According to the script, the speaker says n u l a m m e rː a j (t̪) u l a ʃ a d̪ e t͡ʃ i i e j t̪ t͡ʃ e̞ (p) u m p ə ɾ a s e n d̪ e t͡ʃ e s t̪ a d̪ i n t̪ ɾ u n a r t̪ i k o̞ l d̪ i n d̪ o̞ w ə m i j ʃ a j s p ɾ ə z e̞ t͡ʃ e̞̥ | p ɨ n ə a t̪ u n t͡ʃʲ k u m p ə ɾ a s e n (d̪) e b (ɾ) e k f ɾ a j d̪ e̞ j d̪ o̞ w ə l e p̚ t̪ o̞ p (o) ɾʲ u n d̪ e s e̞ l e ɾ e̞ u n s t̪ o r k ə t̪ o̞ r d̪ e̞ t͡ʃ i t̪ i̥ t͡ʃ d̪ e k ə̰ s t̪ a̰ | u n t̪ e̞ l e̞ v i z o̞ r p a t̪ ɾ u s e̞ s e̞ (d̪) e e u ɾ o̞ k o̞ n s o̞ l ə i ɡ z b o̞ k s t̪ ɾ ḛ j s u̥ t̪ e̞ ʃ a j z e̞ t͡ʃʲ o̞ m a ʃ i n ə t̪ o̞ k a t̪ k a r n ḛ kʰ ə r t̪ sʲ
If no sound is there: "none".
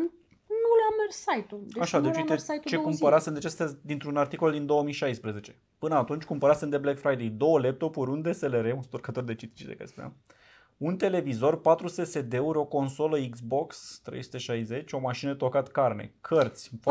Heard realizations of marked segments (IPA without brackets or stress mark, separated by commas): t̪, k, d̪, l, u, d̪